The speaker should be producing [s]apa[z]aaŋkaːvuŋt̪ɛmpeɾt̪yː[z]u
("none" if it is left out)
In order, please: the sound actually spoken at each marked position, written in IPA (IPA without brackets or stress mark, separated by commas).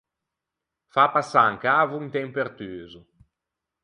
f, s, z